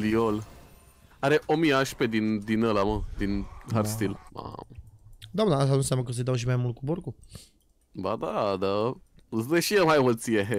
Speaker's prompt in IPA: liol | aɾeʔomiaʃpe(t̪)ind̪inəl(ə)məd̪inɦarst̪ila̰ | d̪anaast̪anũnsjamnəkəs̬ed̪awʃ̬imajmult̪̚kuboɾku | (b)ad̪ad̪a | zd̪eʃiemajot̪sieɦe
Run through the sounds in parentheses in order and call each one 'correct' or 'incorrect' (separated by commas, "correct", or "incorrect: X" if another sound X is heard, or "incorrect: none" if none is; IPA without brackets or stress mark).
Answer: incorrect: d̪, incorrect: a, correct